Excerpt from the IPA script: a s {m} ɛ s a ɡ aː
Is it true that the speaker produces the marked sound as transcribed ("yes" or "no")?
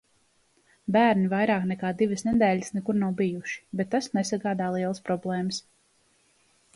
no